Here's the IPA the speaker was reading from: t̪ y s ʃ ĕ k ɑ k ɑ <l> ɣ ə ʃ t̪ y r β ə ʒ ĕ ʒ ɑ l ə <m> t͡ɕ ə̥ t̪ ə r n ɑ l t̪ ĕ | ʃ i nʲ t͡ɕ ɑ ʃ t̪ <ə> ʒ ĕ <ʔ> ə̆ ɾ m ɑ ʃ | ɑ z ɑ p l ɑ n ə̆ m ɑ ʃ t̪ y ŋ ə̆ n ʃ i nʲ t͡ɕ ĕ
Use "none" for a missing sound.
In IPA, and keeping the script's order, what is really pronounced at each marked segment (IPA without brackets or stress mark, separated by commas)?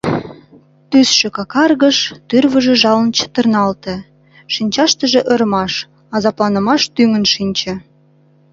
r, n, ə, ʔ